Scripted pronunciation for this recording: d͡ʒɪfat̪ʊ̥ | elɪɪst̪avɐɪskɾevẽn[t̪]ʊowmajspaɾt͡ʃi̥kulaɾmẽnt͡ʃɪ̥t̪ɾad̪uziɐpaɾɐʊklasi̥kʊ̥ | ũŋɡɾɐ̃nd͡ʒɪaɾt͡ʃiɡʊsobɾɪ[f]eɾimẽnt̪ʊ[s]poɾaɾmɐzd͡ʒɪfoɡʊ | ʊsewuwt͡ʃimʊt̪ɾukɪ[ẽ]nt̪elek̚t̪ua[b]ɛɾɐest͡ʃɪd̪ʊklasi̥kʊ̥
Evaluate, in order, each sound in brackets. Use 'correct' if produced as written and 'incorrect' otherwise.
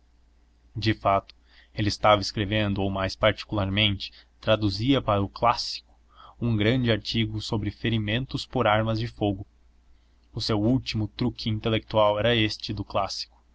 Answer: incorrect: d̪, correct, correct, incorrect: ĩ, incorrect: w

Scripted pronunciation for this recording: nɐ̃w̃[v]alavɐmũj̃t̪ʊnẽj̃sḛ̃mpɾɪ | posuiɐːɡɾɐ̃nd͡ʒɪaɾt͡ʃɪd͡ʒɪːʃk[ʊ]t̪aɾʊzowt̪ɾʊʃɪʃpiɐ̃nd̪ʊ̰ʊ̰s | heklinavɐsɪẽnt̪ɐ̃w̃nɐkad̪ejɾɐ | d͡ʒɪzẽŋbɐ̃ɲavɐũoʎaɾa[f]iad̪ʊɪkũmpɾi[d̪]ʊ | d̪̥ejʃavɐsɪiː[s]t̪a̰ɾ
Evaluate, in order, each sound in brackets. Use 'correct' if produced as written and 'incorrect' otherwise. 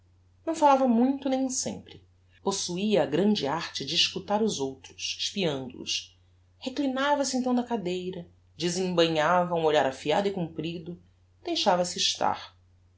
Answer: incorrect: f, incorrect: u, correct, correct, incorrect: ʃ

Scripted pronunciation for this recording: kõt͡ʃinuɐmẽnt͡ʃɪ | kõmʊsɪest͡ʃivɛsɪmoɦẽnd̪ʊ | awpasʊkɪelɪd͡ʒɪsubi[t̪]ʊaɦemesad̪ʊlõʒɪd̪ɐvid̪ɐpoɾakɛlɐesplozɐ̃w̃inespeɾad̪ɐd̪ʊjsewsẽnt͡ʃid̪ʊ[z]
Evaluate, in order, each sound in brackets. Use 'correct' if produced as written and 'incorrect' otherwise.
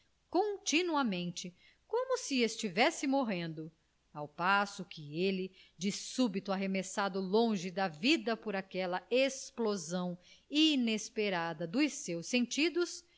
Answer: correct, incorrect: s

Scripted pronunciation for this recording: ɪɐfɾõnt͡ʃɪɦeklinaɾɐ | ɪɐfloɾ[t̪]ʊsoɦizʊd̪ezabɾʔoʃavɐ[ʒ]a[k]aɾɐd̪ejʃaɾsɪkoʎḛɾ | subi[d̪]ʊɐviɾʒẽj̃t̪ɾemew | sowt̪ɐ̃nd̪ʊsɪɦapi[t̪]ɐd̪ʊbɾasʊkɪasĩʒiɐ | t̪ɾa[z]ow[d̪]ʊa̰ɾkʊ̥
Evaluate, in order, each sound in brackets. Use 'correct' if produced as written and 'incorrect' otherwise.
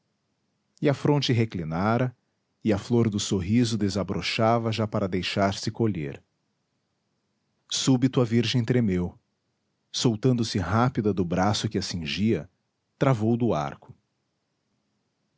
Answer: incorrect: d̪, correct, incorrect: p, incorrect: t̪, incorrect: d̪, incorrect: v, correct

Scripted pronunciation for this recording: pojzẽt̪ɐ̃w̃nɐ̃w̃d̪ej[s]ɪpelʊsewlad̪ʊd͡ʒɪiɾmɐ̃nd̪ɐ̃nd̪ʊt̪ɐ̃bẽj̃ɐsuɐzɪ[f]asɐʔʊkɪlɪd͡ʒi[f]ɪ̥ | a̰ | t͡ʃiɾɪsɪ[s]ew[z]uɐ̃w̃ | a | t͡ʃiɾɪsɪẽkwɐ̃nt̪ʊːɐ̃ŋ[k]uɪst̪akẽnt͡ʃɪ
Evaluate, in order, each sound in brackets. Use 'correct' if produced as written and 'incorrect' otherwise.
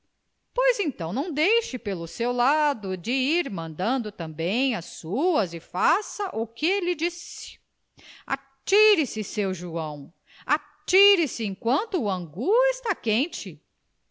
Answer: incorrect: ʃ, correct, incorrect: s, correct, incorrect: ʒ, incorrect: ɡ

